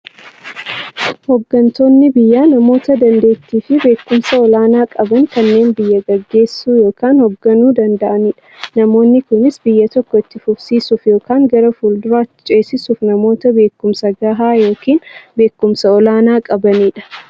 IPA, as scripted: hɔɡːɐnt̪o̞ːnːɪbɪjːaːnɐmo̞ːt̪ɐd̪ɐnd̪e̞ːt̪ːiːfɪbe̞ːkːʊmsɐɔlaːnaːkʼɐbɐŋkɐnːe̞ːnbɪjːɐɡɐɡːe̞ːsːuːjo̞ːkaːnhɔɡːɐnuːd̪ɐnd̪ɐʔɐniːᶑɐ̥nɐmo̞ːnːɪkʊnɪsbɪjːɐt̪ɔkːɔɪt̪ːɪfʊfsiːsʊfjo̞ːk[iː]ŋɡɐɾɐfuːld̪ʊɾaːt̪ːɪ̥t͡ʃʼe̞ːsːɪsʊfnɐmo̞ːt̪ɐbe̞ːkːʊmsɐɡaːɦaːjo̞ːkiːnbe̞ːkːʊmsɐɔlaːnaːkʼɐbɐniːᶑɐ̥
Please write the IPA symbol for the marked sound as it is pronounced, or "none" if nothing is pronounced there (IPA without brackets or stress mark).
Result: aː